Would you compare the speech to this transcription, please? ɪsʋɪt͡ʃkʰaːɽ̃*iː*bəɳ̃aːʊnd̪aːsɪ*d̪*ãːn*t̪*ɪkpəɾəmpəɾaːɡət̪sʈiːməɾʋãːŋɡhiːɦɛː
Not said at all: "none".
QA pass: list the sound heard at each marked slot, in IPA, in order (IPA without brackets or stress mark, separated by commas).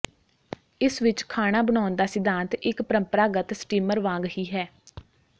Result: aː, d̪, t̪